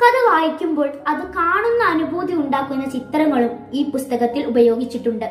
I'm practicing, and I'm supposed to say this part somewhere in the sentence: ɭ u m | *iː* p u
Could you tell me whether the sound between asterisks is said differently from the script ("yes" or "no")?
no